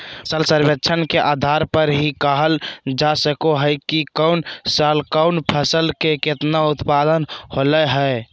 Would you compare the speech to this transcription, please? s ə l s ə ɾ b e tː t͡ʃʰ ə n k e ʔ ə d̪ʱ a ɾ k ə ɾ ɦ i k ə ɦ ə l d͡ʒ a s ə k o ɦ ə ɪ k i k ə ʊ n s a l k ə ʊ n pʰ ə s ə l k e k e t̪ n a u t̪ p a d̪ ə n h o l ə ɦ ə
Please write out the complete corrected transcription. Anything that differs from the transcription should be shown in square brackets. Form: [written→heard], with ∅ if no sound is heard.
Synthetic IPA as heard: s ə l s ə ɾ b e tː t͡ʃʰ ə n k e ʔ [ə→a] d̪ʱ a ɾ [k→p] ə ɾ ɦ i k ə ɦ ə l d͡ʒ a s ə k o ɦ ə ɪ k i k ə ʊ n s a l k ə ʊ n pʰ ə s ə l k e k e t̪ n a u t̪ p a d̪ ə n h o l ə ɦ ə